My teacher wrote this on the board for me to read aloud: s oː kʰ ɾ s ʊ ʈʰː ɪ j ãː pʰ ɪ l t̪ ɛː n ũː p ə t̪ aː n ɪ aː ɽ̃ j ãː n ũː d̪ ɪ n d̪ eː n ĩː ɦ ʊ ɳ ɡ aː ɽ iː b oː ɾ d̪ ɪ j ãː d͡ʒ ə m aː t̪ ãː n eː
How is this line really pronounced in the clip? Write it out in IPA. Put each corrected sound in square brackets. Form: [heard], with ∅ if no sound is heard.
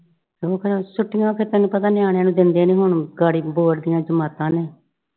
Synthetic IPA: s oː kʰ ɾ s ʊ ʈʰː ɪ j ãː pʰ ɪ [ɾ] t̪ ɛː n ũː p ə t̪ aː n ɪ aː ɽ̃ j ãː n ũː d̪ ɪ n d̪ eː n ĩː ɦ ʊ ɳ ɡ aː ɽ iː b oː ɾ d̪ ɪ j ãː d͡ʒ ə m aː t̪ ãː n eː